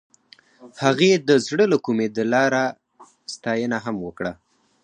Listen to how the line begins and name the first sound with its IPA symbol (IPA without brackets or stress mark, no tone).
h